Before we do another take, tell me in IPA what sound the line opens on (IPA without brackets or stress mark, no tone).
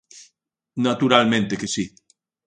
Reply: n